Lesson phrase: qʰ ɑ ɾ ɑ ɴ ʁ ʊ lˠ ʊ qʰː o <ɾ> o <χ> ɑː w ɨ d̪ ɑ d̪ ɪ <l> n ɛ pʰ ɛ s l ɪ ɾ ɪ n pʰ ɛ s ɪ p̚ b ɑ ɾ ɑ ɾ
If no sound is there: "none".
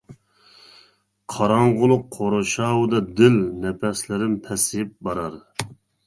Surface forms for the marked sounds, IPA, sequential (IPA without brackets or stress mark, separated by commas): ɾ, ʃ, l